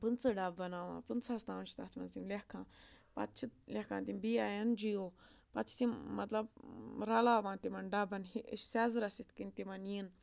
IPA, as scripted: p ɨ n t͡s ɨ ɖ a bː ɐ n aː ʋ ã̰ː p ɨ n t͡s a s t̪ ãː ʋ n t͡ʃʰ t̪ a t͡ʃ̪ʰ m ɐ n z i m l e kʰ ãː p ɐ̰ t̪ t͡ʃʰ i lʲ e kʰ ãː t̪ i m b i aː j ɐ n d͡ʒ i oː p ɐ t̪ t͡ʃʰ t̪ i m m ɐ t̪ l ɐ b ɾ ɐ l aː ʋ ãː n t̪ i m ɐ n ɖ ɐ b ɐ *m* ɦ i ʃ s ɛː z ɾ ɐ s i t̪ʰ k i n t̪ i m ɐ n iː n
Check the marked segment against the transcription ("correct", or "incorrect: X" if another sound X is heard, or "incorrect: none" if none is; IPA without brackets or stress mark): incorrect: n